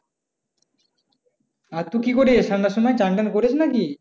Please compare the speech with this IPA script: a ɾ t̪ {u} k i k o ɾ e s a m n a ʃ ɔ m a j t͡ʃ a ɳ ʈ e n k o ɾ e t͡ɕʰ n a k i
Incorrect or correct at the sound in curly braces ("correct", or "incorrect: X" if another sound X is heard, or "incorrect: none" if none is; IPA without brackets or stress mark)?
correct